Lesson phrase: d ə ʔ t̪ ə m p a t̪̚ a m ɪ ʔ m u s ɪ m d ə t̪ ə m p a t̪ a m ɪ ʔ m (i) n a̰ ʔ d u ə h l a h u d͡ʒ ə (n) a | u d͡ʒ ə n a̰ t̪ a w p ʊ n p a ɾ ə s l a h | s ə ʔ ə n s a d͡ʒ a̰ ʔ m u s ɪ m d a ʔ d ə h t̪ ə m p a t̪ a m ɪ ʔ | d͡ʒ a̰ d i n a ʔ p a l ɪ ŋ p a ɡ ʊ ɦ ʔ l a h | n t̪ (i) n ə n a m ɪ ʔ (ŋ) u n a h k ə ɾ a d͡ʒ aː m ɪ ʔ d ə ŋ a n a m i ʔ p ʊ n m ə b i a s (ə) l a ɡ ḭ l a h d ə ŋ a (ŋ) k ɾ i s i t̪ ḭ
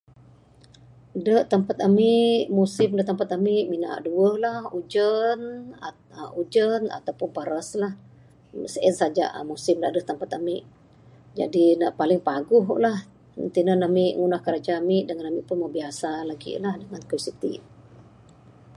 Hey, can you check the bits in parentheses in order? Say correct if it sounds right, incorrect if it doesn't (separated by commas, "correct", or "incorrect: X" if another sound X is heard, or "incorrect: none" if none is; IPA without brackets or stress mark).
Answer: correct, correct, correct, correct, incorrect: a, incorrect: n